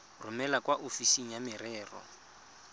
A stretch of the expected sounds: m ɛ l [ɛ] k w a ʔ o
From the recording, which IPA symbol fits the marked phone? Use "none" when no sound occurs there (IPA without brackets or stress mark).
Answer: a